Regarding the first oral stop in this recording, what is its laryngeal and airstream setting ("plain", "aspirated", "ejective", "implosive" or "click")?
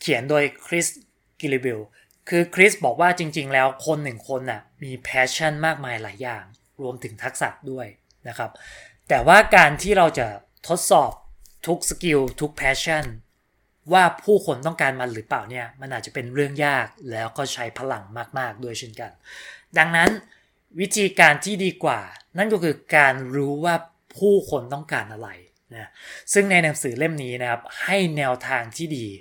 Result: aspirated